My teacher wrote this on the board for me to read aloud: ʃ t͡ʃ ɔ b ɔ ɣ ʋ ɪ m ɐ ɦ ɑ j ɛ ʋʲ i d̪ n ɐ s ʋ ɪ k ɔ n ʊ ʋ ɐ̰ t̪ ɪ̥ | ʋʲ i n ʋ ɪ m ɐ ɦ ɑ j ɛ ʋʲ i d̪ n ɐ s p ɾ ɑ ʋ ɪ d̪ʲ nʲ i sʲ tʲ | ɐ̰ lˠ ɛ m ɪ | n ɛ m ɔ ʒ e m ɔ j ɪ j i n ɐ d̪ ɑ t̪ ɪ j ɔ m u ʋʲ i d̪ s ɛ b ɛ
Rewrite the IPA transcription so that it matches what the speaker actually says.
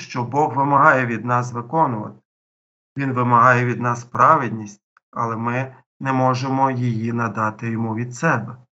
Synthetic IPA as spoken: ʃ t͡ʃ ɔ b ɔ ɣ ʋ ɪ m ɐ ɦ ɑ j ɛ ʋʲ i d̪ n ɑ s ʋ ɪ k ɔ n ʊ ʋ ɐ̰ t̪ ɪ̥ | ʋʲ i n ʋ ɪ m ɐ ɦ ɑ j ɛ ʋʲ i d̪ n ɑ s p ɾ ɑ ʋ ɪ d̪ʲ nʲ i sʲ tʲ | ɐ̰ lˠ ɛ m ɪ | n ɛ m ɔ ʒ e m ɔ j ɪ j i n ɐ d̪ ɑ t̪ ɪ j ɔ m u ʋʲ i d̪ s ɛ b ɛ